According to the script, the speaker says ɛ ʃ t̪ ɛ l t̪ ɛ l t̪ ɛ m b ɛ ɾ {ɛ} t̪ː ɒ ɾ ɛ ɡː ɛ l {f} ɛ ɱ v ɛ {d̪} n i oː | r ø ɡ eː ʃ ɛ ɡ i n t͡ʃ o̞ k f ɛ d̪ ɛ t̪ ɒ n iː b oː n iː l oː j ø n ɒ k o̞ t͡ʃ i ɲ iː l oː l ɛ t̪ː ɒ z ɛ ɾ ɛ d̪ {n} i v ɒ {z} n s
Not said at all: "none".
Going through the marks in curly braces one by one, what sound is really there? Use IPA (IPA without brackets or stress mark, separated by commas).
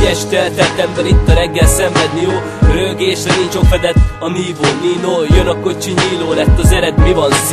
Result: i, s, d̪, m, none